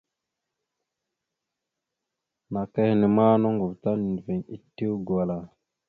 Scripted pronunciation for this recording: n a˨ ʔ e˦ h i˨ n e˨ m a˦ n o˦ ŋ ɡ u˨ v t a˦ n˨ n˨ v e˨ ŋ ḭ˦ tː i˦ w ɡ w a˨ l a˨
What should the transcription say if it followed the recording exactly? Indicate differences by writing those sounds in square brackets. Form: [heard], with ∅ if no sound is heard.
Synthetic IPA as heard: n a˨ [k] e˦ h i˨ n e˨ m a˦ n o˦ ŋ ɡ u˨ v t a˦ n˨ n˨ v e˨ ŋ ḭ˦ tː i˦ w ɡ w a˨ l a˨